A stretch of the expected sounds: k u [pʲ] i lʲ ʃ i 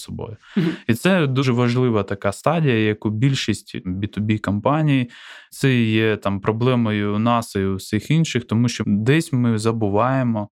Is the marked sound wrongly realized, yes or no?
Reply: yes